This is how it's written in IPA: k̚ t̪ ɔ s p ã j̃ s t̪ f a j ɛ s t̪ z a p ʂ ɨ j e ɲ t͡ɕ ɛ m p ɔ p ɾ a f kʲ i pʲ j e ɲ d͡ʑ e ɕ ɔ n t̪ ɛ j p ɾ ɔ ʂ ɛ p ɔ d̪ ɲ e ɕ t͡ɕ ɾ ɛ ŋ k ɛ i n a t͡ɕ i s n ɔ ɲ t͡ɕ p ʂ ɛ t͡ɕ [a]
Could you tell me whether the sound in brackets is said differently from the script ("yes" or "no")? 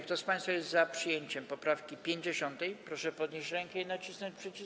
yes